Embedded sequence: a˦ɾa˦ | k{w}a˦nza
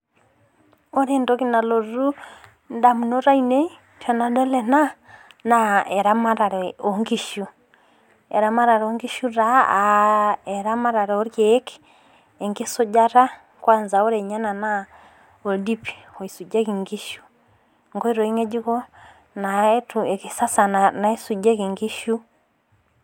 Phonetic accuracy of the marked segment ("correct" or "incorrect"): correct